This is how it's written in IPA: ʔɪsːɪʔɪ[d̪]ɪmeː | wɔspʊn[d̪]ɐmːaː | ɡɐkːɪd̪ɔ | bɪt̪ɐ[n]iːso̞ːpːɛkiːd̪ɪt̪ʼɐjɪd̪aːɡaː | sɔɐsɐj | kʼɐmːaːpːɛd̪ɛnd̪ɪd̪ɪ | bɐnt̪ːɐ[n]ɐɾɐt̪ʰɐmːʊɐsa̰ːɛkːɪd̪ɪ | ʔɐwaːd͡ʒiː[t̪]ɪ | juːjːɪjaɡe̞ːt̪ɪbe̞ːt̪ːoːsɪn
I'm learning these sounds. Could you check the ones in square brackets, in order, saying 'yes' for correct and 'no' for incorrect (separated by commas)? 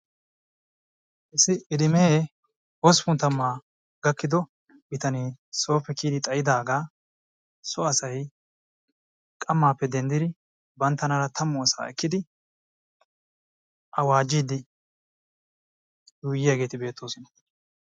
yes, no, yes, yes, no